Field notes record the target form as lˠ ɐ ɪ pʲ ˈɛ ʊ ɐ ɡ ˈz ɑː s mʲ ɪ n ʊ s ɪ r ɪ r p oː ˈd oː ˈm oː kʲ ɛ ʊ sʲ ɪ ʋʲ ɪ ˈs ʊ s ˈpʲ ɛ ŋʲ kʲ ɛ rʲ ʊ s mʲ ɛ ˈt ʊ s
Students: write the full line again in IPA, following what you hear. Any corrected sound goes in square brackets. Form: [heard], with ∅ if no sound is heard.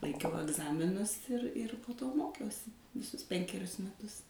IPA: lˠ ɐ ɪ [kʲ] ˈɛ ʊ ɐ ɡ ˈz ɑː [∅] mʲ ɪ n ʊ s ɪ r ɪ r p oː [ˈt] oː ˈm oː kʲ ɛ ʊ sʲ ɪ ʋʲ ɪ ˈs ʊ s ˈpʲ ɛ ŋʲ kʲ ɛ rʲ ʊ s mʲ ɛ ˈt ʊ s